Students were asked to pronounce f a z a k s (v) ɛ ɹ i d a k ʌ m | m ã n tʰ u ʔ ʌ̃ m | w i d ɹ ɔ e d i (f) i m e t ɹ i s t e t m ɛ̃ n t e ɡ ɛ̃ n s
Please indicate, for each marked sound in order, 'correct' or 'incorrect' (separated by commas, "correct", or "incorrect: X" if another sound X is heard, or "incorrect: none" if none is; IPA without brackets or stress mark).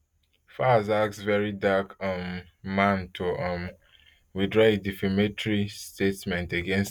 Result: correct, correct